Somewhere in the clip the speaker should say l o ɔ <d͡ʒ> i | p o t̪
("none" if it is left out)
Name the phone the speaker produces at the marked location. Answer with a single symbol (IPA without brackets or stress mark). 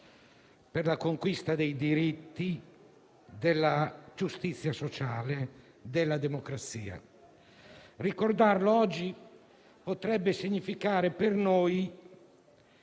d͡ʒː